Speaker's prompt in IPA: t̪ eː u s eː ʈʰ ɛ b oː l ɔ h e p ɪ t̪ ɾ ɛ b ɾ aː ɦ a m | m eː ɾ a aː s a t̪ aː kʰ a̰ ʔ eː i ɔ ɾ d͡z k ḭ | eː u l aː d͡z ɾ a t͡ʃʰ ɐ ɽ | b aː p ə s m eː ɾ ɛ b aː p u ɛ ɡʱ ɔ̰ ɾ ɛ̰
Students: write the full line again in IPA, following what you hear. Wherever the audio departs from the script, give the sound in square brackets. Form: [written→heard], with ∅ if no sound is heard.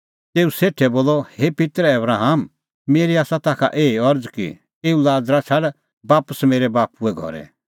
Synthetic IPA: t̪ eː u s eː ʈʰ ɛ b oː l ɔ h e p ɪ t̪ ɾ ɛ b ɾ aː ɦ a m | m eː ɾ [a→i] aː s a t̪ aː kʰ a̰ ʔ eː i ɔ ɾ d͡z k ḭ | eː u l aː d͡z ɾ a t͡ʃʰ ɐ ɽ | b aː p ə s m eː ɾ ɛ b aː p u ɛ ɡʱ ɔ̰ ɾ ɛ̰